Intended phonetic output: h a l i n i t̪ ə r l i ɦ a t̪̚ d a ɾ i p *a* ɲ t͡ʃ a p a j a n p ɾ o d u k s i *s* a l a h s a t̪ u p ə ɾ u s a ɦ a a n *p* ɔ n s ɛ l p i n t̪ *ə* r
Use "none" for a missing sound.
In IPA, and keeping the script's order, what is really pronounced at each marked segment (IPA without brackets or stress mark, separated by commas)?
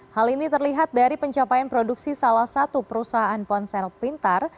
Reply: ə, s, p, a